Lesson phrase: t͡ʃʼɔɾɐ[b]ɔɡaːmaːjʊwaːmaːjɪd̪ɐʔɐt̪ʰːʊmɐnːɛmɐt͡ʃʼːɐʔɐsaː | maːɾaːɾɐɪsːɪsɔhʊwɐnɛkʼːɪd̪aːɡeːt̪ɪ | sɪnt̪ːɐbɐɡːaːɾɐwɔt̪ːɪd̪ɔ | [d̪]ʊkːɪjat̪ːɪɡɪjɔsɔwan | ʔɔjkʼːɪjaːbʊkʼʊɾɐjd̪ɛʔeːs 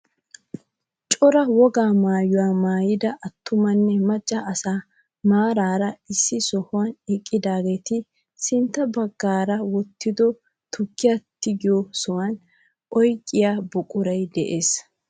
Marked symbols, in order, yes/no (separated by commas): no, no